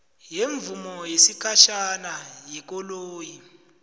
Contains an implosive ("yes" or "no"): no